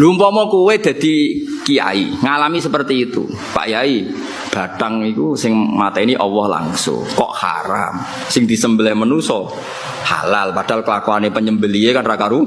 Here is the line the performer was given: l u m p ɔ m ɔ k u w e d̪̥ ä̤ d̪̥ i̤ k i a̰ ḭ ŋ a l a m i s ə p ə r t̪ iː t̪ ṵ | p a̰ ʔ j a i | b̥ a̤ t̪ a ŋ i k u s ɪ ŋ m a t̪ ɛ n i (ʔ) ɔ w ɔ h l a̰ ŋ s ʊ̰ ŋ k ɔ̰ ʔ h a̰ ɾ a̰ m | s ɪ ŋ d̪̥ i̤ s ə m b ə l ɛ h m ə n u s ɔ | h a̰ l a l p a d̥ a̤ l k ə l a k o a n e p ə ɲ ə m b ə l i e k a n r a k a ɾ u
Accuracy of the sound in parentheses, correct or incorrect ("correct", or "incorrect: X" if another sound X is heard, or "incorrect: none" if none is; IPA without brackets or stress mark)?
correct